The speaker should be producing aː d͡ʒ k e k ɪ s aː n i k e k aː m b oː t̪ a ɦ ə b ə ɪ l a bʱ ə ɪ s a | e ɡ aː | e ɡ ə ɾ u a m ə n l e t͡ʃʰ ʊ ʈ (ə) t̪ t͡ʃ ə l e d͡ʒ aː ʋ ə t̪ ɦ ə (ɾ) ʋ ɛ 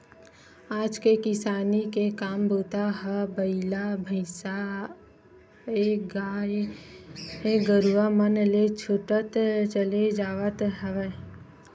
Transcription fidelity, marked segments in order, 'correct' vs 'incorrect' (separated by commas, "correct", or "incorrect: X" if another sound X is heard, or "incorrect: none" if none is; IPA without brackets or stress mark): correct, incorrect: none